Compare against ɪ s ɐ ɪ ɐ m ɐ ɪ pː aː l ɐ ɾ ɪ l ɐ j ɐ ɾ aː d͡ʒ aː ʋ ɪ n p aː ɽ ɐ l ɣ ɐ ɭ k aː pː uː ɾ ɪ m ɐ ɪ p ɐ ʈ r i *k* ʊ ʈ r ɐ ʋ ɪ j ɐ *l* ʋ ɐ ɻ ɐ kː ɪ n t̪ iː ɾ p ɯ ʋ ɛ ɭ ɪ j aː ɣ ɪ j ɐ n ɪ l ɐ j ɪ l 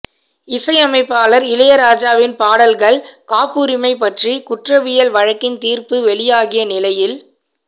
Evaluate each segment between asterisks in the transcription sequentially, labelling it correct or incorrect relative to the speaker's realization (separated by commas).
correct, correct